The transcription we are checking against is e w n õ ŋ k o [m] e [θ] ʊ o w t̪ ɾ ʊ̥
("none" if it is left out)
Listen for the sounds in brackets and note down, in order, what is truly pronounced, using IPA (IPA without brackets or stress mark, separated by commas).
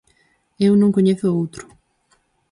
ɲ, θ